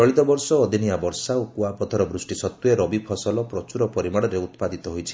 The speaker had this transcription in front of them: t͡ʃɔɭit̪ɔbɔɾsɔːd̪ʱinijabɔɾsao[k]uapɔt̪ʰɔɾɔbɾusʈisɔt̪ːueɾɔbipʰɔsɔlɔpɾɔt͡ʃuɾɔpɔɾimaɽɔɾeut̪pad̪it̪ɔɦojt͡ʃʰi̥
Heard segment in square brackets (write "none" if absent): k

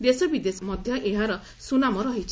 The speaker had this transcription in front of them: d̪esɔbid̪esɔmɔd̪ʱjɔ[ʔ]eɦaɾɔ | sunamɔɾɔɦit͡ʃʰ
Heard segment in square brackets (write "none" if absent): ʔ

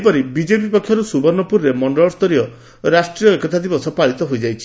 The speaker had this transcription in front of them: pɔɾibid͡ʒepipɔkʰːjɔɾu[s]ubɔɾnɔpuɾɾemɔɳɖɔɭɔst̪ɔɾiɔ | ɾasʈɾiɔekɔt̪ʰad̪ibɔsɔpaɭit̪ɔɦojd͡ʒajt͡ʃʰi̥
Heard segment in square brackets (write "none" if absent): s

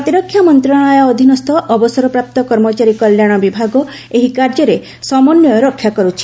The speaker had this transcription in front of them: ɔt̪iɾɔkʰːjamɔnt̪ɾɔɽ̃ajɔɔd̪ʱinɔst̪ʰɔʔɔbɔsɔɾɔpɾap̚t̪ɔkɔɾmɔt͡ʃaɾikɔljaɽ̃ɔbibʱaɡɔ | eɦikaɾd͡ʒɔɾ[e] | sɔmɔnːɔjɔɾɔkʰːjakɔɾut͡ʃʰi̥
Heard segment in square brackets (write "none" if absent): e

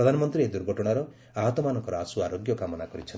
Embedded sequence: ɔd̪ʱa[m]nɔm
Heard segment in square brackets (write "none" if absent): none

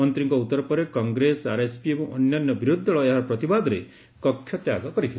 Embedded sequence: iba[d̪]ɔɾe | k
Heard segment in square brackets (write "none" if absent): d̪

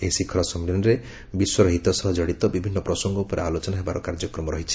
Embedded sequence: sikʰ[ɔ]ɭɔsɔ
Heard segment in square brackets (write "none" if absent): ɔ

